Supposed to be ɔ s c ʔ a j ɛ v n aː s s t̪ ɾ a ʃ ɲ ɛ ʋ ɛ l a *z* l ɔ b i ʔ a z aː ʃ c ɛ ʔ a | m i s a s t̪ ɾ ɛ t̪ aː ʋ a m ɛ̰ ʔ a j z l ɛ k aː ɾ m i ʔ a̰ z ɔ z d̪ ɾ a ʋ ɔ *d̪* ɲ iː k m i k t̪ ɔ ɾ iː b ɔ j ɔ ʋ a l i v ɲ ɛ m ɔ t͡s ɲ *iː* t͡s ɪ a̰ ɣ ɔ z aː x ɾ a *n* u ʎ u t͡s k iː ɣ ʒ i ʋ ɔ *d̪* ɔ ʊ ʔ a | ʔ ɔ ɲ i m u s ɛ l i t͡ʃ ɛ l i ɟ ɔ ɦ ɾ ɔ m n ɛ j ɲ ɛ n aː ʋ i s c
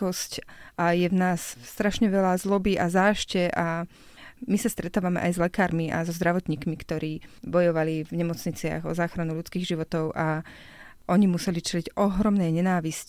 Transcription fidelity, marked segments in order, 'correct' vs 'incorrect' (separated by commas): correct, incorrect, incorrect, correct, incorrect